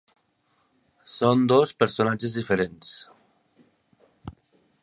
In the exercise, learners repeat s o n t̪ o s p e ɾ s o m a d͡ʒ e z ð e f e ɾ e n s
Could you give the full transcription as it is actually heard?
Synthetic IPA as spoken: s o n d̪ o s p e ɾ s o n a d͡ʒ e z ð i f e ɾ e n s

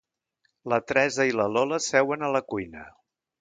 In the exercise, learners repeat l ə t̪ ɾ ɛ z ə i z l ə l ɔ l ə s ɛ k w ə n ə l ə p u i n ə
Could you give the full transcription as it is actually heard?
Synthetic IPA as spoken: l ə t̪ ɾ ɛ z ə i l ə l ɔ l ə s ɛ w ə n ə l ə k u j n ə

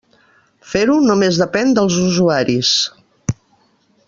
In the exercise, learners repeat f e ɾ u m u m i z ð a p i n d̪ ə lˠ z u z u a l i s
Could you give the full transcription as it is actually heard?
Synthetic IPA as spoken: f e ɾ u n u m e z ð ə p ɛ n d̪ ə lˠ z u z u a ɾ i s

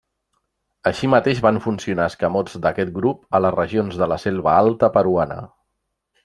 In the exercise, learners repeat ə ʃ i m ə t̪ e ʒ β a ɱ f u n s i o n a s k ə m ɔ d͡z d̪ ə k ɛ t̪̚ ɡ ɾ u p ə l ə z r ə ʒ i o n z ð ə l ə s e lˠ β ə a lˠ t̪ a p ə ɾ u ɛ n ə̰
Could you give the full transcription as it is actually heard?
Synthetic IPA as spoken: ə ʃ i m ə t̪ e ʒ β a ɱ f u n s i u n a s k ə m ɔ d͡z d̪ ə k ɛ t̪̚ ɡ ɾ u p ə l ə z r ə ʒ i o n z ð ə l ə s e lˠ β ə a lˠ t̪ ə p ə ɾ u a n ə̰

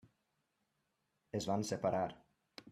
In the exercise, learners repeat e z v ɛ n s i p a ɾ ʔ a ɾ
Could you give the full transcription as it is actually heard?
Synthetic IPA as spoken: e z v a n s e p a ɾ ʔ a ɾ

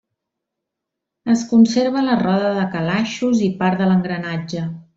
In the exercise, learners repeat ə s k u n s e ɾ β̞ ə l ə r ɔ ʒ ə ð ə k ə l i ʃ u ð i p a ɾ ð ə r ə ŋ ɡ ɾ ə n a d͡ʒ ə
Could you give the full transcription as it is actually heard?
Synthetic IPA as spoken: ə s k u n s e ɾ β̞ ə l ə r ɔ ð ə ð ə k ə l a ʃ u z i p a ɾ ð ə l ə ŋ ɡ ɾ ə n a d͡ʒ ə

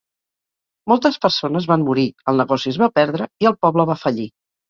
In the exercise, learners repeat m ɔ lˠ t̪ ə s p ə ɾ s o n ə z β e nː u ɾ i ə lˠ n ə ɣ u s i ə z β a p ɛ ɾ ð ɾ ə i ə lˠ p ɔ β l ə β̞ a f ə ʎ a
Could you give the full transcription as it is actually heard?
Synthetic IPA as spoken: m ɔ lˠ t̪ ə s p ə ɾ s o n ə z β a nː u ɾ i ə lˠ n ə ɣ ɔ s i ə z β a p ɛ ɾ ð ɾ ə i ə lˠ p ɔ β l ə β̞ a f ə ʎ i

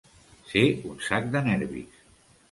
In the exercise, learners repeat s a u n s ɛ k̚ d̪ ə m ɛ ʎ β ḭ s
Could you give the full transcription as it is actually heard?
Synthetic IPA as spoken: s e u n s a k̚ d̪ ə n ɛ ɾ β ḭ s

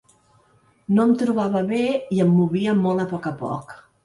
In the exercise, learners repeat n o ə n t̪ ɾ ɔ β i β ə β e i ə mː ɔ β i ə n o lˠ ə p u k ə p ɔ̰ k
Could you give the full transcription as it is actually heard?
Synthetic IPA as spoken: n o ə m t̪ ɾ u β a β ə β e i ə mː u β i ə m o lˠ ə p ɔ k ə p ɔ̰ k

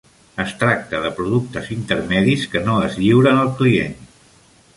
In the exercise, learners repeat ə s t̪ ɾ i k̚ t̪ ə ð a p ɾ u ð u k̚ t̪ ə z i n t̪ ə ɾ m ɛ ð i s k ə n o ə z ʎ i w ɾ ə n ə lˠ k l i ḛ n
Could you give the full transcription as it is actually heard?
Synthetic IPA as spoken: ə s t̪ ɾ a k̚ t̪ ə ð ə p ɾ u ð u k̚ t̪ ə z i n t̪ ə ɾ m ɛ ð i s k ə n o ə z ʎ i w ɾ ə n ə lˠ k l i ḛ n

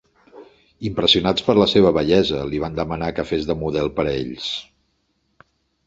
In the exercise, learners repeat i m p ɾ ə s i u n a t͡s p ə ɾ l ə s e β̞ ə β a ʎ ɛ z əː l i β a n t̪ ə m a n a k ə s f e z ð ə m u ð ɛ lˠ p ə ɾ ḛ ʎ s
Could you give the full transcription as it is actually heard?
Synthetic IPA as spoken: i m p ɾ ə s i u n a t͡s p ə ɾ l ə s e β̞ ə β ə ʎ ɛ z ə l i β a n d̪ ə m ə n a k ə f e z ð ə m u ð ɛ lˠ p ə ɾ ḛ ʎ s

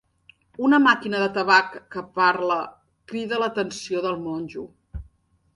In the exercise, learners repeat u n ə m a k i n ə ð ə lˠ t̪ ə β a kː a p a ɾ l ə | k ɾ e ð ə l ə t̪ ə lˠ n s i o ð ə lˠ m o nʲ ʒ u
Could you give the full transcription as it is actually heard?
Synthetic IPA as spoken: u n ə m a k i n ə ð ə t̪ ə β a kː ə p a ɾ l ə | k ɾ i ð ə l ə t̪ ə n s i o ð ə lˠ m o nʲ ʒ u

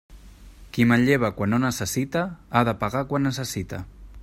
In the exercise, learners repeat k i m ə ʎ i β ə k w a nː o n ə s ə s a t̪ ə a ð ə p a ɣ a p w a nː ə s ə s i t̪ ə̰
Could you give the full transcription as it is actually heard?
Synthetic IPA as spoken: k i m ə ʎ e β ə k w a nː o n ə s ə s i t̪ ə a ð ə p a ɣ a k w a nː ə s ə s i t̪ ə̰

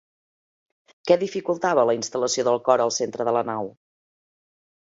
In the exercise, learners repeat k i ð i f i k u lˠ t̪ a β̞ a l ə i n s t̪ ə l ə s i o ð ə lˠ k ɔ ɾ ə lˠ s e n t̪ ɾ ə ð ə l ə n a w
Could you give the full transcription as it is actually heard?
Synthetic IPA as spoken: k ɛ ð i f i k u lˠ t̪ a β̞ ə l ə i n s t̪ ə l ə s i o ð ə lˠ k ɔ ɾ ə lˠ s e n t̪ ɾ ə ð ə l ə n a w

